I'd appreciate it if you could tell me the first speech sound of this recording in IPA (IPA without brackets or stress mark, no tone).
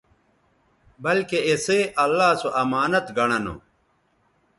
b